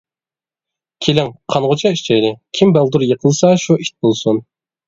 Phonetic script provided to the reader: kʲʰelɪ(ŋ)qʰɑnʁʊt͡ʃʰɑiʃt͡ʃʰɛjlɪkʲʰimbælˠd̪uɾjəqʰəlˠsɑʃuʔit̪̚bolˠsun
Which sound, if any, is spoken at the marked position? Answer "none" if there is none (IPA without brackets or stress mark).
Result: ŋ